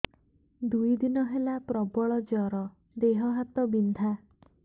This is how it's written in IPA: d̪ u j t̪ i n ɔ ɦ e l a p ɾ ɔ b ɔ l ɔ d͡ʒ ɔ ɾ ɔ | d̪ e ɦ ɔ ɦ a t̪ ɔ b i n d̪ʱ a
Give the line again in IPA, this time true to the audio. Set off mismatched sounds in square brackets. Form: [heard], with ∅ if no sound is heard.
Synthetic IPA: d̪ u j [d̪] i n ɔ ɦ e l a p ɾ ɔ b ɔ [ɭ] ɔ d͡ʒ ɔ ɾ ɔ | d̪ e ɦ ɔ ɦ a t̪ ɔ b i n d̪ʱ a